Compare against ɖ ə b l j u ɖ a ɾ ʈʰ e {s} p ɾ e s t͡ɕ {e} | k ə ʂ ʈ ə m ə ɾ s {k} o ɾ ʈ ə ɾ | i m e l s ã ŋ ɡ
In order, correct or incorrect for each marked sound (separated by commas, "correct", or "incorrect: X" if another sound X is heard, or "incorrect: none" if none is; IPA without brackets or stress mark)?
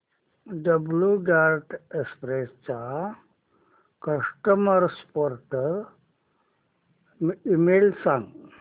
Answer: correct, incorrect: a, incorrect: p